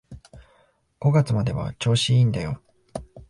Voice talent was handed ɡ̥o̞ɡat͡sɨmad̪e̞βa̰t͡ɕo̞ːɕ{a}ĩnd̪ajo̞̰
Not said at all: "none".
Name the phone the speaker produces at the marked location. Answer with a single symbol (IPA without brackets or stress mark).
i